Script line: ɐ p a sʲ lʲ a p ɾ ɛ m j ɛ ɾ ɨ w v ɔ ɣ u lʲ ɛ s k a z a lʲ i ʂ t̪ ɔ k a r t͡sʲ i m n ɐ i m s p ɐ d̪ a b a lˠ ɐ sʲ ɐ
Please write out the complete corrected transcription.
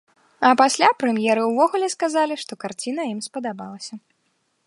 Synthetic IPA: ɐ p a sʲ lʲ a p ɾ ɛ m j ɛ ɾ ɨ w v ɔ ɣ u lʲ ɛ s k a z a lʲ i ʂ t̪ ɔ k a r t͡sʲ i n ɐ i m s p ɐ d̪ a b a lˠ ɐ sʲ ɐ